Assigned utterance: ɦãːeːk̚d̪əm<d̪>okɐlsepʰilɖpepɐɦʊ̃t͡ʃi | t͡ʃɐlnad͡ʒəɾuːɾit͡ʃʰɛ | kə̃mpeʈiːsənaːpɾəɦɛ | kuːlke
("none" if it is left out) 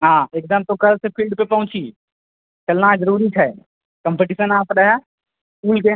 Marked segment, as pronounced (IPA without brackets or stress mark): t̪